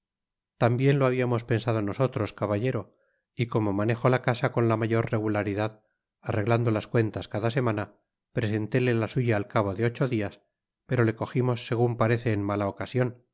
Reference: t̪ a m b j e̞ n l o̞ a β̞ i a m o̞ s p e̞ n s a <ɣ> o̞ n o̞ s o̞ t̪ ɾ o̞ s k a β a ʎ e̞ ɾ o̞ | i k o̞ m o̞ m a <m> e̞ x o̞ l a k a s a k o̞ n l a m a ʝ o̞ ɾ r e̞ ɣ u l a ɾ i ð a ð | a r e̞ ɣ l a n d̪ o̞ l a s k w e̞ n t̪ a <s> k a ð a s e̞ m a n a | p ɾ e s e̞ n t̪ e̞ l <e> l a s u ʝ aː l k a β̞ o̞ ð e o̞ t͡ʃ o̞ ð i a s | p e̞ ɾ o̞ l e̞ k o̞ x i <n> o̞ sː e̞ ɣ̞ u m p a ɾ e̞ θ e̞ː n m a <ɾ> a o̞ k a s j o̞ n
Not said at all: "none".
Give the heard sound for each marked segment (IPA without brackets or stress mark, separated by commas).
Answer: ð, n, s, e, m, l